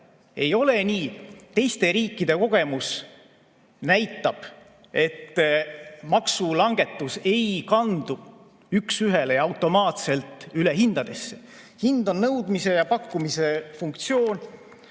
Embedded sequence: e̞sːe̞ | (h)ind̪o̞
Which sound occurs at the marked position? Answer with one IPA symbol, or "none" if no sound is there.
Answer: h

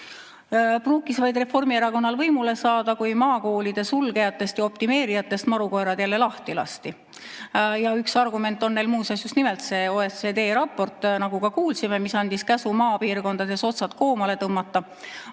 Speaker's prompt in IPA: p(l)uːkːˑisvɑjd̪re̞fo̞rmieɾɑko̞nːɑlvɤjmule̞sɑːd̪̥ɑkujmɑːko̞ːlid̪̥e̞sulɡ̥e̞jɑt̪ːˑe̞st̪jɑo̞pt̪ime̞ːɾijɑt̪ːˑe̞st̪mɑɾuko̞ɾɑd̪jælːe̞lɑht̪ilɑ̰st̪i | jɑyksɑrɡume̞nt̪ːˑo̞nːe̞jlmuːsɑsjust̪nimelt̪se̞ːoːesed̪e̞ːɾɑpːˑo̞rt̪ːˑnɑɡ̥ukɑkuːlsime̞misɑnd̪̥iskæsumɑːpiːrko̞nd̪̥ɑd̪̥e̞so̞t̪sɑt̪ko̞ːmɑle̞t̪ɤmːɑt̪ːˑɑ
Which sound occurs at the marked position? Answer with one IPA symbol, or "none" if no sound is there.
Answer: r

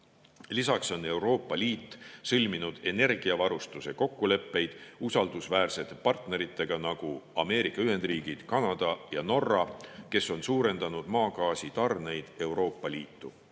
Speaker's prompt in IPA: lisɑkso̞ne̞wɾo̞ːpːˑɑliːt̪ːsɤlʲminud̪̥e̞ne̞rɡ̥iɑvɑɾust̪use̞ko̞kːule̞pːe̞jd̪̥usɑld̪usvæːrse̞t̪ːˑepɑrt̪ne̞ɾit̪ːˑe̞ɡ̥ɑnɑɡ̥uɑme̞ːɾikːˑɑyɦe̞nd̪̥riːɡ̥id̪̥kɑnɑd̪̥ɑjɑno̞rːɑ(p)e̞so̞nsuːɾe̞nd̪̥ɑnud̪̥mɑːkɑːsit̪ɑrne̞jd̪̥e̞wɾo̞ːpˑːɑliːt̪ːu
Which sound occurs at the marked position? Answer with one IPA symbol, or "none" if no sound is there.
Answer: k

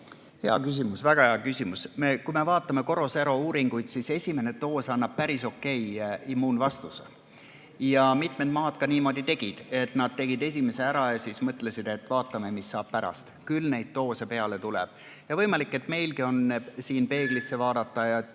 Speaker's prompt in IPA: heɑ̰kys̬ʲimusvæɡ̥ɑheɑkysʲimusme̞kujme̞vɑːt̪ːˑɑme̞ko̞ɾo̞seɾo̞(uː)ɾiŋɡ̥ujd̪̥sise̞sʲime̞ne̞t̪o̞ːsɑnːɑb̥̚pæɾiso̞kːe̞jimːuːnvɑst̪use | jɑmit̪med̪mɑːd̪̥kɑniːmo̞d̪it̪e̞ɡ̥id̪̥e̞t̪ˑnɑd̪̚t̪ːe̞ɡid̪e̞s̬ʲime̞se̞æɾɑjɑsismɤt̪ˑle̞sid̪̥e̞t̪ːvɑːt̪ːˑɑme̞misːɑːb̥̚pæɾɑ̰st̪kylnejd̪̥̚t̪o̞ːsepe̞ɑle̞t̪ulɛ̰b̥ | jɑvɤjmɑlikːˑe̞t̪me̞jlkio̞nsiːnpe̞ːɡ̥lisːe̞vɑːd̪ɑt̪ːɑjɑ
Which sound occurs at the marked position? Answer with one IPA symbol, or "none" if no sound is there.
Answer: uː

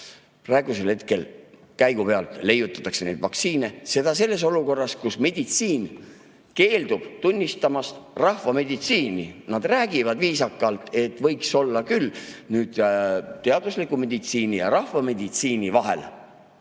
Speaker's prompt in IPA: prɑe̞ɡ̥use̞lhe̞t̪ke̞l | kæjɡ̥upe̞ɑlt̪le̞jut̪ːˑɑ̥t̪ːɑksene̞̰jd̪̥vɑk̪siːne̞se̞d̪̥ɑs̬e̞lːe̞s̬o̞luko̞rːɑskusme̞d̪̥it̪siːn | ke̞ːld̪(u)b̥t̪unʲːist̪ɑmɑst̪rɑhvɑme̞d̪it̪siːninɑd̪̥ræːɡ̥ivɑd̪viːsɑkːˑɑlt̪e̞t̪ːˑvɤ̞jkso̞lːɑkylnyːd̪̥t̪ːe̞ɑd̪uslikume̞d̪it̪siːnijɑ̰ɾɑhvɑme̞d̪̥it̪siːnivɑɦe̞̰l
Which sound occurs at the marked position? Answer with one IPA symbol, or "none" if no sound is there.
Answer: u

